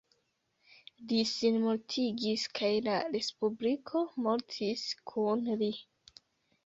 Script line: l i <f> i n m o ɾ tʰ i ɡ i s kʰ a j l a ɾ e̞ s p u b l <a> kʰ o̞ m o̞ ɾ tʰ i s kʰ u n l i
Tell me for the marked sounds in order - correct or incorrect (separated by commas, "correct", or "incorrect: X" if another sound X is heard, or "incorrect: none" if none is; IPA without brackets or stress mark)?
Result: incorrect: s, incorrect: i